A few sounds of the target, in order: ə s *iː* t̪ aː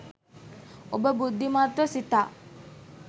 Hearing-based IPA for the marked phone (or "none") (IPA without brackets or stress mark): i